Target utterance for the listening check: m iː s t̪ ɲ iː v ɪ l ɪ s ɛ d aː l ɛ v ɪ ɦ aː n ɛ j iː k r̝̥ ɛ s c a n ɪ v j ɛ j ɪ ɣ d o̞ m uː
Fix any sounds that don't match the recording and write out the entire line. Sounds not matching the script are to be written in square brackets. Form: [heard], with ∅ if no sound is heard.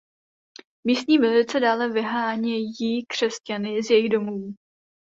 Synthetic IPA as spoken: m iː s t̪ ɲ iː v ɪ l ɪ [t͡s] ɛ d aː l ɛ v ɪ ɦ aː [ɲ] ɛ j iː k r̝̥ ɛ s c a n ɪ [z] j ɛ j ɪ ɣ d o̞ m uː